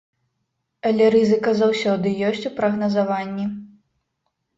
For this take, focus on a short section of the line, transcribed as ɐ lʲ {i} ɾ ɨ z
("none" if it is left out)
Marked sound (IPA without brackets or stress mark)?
ɛ